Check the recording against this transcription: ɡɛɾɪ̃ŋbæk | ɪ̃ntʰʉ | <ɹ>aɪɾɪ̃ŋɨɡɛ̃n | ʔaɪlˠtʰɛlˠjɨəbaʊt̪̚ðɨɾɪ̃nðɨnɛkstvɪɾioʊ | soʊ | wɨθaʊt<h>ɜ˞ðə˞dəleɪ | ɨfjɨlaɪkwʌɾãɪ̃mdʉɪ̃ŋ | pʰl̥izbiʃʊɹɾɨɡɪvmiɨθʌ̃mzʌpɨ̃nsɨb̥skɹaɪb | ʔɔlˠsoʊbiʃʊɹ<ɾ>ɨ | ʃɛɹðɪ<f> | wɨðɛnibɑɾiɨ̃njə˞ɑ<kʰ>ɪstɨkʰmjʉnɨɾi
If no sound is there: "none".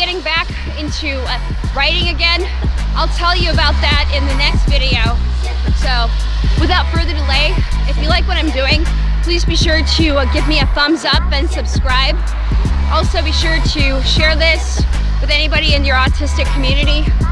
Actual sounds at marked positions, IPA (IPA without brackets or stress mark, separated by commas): ɹ, f, ɾ, s, tʰ